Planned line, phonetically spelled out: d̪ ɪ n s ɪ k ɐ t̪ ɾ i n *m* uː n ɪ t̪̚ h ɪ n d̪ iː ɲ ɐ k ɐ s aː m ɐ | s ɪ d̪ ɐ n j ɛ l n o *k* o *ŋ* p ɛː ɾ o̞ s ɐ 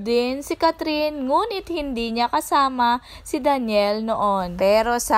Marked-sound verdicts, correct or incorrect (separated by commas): incorrect, incorrect, incorrect